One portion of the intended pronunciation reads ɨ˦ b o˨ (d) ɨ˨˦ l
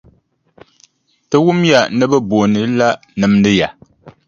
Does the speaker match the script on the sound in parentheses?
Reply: no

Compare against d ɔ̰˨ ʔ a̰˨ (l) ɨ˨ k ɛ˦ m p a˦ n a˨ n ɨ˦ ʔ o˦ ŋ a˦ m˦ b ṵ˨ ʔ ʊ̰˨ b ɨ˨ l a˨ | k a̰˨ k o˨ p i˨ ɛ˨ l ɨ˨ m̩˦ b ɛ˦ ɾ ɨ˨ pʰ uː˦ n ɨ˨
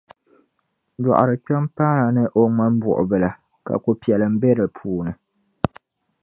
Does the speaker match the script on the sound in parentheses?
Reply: no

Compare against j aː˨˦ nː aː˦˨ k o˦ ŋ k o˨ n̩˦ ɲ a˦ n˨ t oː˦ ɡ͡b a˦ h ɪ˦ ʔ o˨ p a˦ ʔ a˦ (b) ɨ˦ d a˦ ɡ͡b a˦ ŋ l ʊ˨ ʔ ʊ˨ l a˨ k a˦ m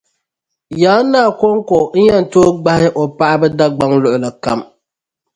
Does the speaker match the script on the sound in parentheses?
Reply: yes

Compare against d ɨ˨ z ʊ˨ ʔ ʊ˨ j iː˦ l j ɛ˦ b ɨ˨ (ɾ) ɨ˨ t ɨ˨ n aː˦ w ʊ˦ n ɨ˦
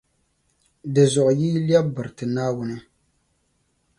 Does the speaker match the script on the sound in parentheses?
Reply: yes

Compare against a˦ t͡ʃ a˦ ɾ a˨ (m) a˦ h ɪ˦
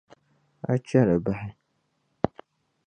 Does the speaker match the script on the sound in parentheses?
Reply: no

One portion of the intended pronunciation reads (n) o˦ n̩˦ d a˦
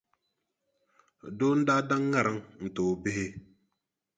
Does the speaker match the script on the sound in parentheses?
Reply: no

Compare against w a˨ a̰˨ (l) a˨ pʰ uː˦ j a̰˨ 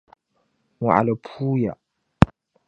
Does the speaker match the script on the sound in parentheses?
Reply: yes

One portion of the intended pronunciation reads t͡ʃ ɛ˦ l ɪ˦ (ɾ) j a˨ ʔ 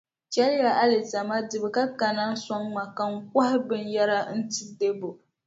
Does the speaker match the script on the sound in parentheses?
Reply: no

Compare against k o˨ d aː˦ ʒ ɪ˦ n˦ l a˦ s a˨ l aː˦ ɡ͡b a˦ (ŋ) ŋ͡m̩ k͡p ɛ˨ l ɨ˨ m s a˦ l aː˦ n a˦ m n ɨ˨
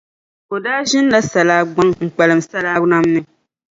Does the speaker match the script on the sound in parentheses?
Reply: yes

